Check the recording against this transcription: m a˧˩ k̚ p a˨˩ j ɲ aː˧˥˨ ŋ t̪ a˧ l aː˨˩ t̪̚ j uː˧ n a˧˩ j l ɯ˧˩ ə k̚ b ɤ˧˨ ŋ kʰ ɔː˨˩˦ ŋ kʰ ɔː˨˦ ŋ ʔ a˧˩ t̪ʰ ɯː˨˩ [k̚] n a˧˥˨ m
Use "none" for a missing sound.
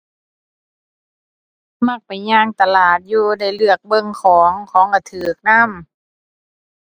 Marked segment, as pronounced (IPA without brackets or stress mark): k̚